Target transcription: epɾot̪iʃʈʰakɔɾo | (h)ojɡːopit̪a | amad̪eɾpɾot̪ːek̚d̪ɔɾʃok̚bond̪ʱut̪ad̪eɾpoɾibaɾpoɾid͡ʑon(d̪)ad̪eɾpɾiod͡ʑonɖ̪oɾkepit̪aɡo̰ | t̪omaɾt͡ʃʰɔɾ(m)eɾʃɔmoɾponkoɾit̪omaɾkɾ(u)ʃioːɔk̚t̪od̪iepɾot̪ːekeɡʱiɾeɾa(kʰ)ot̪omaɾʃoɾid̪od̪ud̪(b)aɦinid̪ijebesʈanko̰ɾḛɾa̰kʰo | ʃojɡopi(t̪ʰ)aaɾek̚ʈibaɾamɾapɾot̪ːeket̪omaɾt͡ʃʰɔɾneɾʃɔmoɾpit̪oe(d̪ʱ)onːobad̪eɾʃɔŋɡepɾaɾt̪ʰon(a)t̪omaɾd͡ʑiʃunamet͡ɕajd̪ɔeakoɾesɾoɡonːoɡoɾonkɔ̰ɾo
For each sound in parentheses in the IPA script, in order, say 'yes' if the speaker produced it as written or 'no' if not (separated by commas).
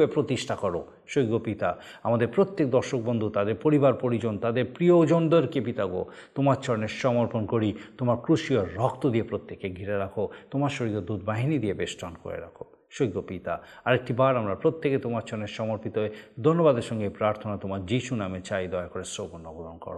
no, no, no, yes, yes, yes, no, yes, yes